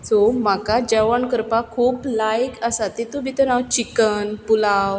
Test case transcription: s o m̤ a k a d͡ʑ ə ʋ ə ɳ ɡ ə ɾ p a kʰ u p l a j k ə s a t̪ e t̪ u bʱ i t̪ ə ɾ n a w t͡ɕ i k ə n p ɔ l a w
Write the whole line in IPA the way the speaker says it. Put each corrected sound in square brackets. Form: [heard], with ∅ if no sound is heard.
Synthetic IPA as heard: s o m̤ a k a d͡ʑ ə ʋ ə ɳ [k] ə ɾ p a kʰ [uː] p l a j k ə s a t̪ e t̪ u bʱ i t̪ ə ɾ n a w t͡ɕ i k ə n p [u] l a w